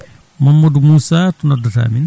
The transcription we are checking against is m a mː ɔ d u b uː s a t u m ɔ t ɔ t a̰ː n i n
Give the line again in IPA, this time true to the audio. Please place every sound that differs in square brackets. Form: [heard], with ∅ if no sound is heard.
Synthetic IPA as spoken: m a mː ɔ d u [m] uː s a t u [n] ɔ [d] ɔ t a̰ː [m] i n